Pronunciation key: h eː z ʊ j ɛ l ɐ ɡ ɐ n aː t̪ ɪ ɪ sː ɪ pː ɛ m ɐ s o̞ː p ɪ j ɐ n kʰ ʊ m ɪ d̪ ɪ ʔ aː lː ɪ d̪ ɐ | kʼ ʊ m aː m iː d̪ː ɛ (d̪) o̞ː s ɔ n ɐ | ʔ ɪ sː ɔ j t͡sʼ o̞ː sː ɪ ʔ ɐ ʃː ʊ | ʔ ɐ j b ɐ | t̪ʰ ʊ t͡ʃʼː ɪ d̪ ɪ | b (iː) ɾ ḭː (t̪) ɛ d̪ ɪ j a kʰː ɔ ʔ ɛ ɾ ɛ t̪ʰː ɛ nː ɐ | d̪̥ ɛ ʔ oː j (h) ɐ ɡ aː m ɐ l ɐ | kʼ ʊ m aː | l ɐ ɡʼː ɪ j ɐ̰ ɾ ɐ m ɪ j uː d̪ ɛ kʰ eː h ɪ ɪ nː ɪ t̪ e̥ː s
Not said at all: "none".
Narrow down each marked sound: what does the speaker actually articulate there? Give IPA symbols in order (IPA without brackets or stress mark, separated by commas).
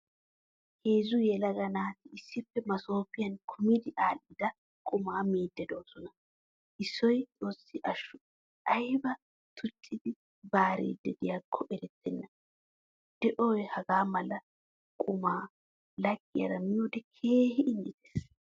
d̪, aː, d̪, h